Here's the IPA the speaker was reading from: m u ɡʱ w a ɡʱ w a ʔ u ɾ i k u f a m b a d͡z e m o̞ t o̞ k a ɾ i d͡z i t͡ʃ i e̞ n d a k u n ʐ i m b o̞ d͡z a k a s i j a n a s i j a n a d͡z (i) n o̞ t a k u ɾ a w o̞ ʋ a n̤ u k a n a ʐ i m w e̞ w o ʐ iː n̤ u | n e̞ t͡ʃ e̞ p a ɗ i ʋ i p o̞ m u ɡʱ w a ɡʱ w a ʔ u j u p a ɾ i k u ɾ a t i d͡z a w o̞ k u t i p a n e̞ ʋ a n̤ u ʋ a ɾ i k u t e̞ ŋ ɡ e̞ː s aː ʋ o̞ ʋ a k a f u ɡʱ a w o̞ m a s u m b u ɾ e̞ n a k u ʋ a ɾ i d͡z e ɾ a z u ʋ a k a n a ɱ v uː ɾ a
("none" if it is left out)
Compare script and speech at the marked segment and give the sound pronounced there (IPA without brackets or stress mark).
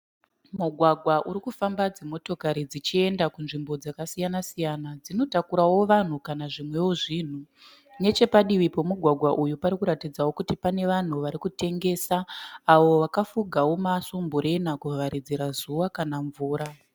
i